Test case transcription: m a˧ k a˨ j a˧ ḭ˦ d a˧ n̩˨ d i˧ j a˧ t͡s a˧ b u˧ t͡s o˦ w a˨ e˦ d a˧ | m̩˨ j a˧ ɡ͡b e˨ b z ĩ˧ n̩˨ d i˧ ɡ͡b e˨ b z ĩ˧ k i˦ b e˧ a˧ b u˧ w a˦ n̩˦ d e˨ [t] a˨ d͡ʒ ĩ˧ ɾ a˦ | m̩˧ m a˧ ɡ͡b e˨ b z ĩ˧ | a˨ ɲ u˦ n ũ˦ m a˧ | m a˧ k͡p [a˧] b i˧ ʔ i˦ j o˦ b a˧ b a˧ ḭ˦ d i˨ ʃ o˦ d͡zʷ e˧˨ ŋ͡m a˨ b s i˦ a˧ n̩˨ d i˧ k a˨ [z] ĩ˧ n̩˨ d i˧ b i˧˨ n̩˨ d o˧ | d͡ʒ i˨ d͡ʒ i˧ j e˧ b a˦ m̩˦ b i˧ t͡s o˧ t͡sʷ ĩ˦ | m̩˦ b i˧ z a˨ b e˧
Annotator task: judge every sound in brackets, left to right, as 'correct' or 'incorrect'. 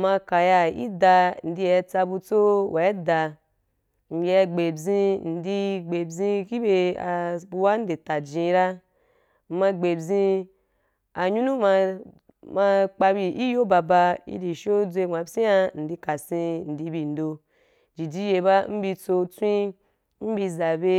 correct, correct, incorrect

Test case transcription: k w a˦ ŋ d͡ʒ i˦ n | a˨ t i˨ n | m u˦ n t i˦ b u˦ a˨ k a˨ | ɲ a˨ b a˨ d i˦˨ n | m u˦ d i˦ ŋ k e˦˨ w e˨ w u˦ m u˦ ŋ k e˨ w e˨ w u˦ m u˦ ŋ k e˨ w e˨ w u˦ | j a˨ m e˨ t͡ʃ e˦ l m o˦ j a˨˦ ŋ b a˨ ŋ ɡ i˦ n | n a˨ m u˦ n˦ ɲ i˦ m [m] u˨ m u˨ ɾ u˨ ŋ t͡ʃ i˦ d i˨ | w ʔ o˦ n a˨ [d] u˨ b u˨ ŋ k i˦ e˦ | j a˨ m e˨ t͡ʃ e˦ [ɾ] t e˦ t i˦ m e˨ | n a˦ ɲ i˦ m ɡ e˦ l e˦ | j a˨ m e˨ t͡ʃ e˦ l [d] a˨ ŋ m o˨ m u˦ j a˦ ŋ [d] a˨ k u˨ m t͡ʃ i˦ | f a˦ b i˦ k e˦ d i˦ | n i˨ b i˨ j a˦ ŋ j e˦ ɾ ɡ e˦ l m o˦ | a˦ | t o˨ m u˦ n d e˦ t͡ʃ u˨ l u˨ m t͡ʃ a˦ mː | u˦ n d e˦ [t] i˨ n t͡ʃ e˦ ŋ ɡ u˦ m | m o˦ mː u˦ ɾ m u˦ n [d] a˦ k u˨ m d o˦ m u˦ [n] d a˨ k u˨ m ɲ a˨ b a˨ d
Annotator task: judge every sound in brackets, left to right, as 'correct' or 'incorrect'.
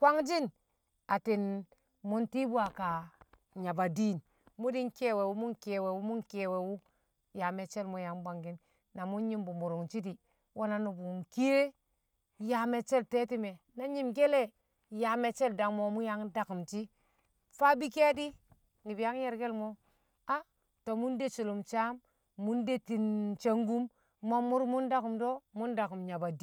incorrect, incorrect, incorrect, correct, correct, correct, correct, correct

